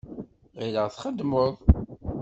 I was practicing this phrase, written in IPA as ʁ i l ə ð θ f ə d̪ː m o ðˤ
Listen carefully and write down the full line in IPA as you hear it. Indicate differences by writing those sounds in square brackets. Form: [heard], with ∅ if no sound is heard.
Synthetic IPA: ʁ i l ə [ʁ] θ [χ] ə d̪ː m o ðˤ